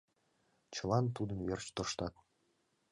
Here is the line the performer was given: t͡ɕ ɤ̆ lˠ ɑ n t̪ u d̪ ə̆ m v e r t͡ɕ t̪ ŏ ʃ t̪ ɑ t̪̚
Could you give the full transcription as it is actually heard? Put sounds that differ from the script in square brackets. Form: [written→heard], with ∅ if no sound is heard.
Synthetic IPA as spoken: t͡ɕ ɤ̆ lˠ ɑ n t̪ u d̪ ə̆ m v e r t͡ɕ t̪ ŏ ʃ t̪ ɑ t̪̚